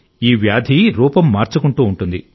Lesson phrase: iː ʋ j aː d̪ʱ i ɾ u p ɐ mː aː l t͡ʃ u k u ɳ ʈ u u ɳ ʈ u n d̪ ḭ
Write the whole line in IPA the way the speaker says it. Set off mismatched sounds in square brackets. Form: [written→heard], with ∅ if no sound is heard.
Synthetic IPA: iː ʋ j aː d̪ʱ i ɾ [u→uː] p ɐ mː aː [l→ɾ] t͡ʃ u k u ɳ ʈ [u→uː] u ɳ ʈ u n d̪ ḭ